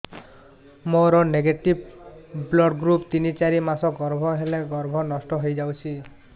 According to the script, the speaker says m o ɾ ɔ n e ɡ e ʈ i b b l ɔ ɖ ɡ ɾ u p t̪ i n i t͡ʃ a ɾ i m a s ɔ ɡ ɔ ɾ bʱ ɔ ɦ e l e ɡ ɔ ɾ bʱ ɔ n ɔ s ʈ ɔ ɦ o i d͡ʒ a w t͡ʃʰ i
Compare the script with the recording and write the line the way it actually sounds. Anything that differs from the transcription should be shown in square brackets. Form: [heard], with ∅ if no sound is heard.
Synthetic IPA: m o ɾ ɔ n e ɡ e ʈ i b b l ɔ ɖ ɡ ɾ u p t̪ i n i t͡ʃ a ɾ i m a s ɔ ɡ ɔ ɾ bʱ ɔ ɦ e l e ɡ ɔ ɾ bʱ ɔ n ɔ s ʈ ɔ ɦ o [j] d͡ʒ a w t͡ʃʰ i